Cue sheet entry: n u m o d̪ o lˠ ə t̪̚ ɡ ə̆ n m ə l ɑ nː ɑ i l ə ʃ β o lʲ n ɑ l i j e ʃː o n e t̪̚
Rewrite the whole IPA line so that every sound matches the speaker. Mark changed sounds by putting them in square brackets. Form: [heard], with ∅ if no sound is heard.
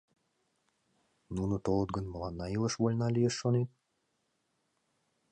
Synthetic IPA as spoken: n u [n] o [t̪] o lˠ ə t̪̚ ɡ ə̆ n m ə l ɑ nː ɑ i l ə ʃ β o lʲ n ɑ l i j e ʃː o n e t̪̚